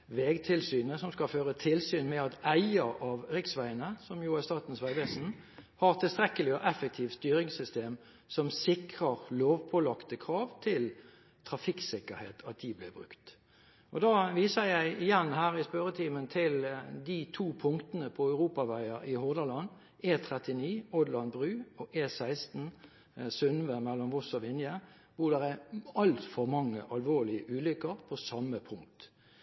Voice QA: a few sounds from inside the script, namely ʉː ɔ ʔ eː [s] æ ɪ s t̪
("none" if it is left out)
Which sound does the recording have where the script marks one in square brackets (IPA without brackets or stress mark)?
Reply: s